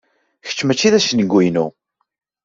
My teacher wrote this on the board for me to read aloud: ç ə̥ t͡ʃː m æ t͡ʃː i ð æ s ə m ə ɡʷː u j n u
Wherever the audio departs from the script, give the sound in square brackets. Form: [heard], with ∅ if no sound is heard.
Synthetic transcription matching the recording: ç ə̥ t͡ʃː m æ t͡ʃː i ð æ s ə [n] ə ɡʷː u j n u